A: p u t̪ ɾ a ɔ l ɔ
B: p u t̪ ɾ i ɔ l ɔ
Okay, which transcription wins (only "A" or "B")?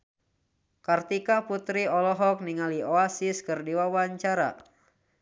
B